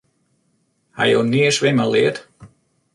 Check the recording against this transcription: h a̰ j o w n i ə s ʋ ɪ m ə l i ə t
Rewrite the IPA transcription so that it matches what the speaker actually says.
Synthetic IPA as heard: h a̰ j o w n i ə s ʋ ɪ m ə l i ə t

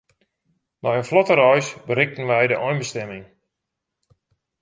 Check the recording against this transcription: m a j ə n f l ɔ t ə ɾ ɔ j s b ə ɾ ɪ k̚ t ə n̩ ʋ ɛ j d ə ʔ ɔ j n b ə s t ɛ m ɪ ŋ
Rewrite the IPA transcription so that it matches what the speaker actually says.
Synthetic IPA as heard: m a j ə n f l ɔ t ə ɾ ɔ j s b ə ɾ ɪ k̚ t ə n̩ ʋ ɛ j d ə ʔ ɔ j n b ə s t ɛ m ɪ ŋ

